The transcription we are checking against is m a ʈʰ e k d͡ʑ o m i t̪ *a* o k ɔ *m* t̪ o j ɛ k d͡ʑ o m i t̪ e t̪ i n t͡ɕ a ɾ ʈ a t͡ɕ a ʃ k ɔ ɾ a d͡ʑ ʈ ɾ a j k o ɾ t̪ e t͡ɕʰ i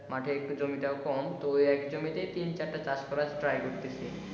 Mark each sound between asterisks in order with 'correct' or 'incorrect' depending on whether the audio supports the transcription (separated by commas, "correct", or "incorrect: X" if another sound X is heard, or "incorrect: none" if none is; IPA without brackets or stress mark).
correct, correct